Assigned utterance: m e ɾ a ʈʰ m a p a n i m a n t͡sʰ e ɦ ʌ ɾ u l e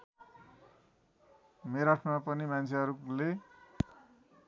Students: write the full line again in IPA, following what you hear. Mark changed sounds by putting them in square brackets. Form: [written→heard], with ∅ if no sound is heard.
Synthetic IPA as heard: m e ɾ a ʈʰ m a p [a→ʌ] n i m a n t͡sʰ e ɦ ʌ ɾ u l e